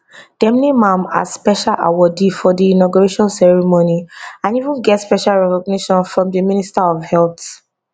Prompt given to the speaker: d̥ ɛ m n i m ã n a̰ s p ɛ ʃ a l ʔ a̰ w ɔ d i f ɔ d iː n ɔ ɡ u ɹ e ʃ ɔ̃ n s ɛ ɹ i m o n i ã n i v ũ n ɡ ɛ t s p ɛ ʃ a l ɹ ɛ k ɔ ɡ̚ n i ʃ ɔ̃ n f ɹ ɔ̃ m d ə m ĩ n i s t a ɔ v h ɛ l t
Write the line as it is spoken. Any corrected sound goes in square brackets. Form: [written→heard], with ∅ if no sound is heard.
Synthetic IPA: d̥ ɛ m n i m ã [n→m] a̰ s p ɛ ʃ a l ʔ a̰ w ɔ d i f ɔ d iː n ɔ ɡ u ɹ e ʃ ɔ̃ n s ɛ ɹ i m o n i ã n i v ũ n ɡ ɛ t s p ɛ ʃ a l ɹ ɛ k ɔ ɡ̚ n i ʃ ɔ̃ n f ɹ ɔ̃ m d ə m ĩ n i s t a ɔ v h ɛ l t